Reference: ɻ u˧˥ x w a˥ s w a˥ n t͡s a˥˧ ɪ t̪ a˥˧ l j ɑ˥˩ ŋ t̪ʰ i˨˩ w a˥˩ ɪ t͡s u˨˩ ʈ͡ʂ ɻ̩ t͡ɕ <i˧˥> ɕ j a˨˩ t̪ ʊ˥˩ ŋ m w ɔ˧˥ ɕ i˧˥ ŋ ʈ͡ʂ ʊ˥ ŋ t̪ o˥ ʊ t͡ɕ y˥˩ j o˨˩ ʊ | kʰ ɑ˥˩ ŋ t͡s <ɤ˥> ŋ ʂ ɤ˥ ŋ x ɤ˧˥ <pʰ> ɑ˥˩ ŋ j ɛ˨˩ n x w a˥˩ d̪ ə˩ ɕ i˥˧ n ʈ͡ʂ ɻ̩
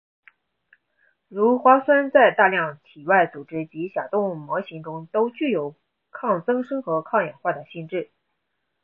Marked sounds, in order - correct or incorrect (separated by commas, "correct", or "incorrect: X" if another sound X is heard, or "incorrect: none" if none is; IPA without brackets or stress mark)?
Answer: correct, correct, incorrect: kʰ